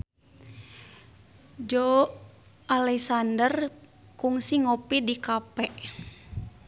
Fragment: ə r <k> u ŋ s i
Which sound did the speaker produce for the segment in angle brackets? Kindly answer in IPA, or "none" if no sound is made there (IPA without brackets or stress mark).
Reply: k